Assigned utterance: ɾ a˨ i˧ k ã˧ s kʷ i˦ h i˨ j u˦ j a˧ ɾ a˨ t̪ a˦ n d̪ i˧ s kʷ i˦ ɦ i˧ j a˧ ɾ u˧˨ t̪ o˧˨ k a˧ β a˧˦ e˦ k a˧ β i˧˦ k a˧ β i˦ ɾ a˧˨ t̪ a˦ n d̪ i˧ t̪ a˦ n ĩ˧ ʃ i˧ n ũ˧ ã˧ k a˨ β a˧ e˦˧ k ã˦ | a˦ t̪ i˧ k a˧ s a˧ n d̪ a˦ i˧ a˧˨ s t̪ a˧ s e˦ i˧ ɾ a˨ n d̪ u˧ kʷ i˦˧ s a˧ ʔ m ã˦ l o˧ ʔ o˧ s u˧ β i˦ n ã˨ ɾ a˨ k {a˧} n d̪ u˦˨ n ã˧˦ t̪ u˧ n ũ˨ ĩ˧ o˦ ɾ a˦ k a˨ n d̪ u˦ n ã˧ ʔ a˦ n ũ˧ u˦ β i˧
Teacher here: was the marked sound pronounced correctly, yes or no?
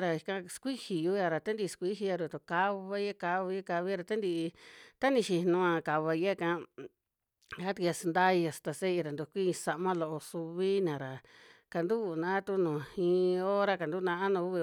yes